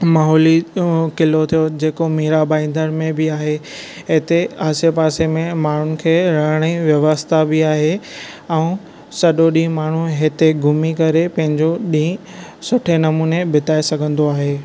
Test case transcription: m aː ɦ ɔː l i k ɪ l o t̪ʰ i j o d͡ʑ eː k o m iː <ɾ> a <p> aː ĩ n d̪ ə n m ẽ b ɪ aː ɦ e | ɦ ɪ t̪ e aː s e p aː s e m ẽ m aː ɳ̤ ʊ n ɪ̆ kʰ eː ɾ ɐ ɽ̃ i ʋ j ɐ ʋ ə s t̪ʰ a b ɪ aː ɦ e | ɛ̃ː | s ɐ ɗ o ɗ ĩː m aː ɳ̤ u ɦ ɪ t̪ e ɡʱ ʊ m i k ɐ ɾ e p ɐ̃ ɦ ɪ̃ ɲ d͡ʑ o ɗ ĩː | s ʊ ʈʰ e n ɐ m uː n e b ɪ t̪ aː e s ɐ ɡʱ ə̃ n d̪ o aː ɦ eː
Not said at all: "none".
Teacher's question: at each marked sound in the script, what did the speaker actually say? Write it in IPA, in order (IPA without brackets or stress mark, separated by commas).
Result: ɾ, b